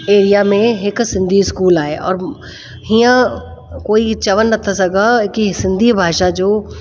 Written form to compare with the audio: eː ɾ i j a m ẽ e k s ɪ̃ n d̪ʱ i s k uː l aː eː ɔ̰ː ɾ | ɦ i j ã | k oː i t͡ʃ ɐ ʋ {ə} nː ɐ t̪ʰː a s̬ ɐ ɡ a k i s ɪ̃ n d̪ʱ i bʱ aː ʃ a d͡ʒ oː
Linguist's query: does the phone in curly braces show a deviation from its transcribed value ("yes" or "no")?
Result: no